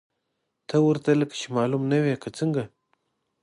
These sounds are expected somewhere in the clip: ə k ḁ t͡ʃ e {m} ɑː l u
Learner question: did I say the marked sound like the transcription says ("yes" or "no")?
yes